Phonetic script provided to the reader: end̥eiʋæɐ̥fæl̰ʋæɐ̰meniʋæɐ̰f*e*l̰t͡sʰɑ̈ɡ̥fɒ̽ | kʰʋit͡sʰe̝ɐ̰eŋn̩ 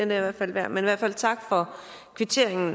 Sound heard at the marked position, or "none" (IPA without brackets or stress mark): æ